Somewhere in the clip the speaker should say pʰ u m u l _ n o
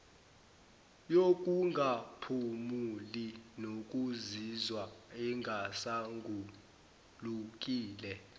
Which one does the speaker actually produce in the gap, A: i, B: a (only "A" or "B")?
A